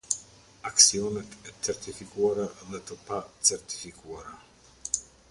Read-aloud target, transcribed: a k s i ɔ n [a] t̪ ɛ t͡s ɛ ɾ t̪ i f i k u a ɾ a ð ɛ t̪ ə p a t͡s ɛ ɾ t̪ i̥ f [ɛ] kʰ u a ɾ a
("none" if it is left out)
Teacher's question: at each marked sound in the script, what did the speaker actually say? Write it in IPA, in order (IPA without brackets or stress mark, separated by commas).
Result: ɛ, i